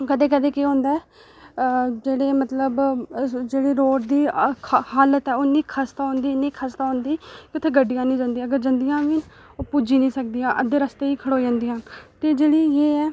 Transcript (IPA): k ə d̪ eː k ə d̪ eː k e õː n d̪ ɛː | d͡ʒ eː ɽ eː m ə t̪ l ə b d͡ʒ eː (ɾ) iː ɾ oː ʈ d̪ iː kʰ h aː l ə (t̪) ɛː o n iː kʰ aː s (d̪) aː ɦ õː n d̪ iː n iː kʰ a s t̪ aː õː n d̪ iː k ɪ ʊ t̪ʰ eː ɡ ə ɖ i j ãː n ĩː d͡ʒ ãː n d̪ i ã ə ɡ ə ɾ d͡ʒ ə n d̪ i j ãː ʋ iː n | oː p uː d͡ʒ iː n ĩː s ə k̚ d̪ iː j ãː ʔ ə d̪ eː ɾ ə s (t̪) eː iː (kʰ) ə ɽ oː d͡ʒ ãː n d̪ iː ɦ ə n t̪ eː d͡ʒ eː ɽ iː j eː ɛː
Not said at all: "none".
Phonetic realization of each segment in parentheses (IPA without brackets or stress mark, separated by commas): ɽ, t̪, t̪, t̪, kʰ